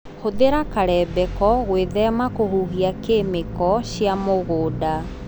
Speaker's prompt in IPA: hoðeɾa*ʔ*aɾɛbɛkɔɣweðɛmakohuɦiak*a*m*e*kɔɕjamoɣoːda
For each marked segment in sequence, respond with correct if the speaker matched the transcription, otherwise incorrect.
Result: incorrect, incorrect, correct

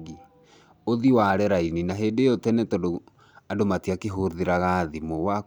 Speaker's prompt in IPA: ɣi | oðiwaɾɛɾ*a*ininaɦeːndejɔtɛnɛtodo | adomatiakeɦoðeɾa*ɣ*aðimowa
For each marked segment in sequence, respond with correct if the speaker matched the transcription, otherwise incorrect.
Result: correct, correct

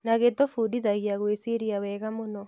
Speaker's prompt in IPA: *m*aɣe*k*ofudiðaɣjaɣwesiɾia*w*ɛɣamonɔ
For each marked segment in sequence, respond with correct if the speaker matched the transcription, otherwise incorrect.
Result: incorrect, incorrect, correct

